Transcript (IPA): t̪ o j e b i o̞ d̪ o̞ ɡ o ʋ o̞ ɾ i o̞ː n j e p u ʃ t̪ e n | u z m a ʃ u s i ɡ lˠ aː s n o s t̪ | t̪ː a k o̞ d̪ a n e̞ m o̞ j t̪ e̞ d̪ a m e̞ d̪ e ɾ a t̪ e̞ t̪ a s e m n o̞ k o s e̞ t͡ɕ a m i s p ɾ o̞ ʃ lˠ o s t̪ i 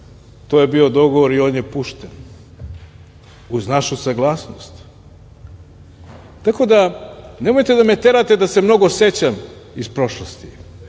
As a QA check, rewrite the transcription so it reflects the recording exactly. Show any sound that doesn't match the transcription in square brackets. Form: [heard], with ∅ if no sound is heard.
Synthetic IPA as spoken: t̪ o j e b i o̞ d̪ o̞ ɡ o ʋ o̞ ɾ i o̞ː n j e p u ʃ t̪ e n | u z [n] a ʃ u s [a] ɡ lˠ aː s n o s t̪ | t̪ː a k o̞ d̪ a n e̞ m o̞ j t̪ e̞ d̪ a m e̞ [t̪] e ɾ a t̪ e̞ [d̪] a s e m n o̞ [ɡ] o s e̞ t͡ɕ a m i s p ɾ o̞ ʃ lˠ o s t̪ i